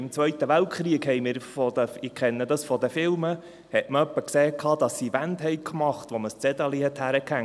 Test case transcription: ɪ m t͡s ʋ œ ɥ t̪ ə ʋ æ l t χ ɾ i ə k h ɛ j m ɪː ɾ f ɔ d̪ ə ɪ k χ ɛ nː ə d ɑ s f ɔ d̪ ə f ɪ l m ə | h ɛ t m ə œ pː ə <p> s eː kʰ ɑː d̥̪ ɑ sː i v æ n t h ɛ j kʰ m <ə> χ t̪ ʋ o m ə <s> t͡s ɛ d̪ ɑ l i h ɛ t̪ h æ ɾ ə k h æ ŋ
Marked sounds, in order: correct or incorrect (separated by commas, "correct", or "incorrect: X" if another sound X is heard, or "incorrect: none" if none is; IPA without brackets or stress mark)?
incorrect: k, incorrect: ɑ, correct